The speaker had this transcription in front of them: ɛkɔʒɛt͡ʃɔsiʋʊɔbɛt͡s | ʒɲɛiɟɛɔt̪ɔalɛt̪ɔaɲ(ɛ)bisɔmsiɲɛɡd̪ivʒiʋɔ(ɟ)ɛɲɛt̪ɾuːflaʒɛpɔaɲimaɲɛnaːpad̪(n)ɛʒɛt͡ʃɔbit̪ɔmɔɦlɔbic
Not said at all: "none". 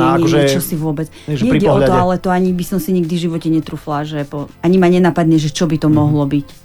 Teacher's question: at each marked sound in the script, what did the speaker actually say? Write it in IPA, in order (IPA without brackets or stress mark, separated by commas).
i, c, ɲ